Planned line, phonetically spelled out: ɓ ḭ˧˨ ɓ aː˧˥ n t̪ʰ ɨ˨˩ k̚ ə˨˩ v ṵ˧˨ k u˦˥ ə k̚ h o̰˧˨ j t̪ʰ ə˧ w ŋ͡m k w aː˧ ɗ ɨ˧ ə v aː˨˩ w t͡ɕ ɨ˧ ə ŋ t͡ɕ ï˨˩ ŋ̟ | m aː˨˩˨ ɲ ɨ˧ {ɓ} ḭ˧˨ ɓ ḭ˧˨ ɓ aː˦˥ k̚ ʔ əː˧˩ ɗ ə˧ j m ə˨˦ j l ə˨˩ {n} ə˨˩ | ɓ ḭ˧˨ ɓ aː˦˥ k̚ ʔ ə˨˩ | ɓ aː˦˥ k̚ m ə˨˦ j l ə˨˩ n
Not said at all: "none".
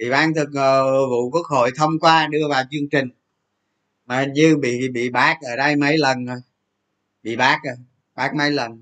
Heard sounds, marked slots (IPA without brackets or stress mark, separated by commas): ɓ, n